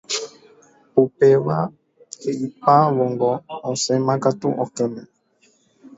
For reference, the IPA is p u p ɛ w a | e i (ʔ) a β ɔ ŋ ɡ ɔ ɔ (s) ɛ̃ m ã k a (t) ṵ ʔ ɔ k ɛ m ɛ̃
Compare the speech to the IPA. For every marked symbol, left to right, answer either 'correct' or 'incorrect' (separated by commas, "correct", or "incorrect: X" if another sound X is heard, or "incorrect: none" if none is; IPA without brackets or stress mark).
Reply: incorrect: p, correct, correct